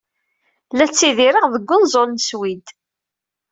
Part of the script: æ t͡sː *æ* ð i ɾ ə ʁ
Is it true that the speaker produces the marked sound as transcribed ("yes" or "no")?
no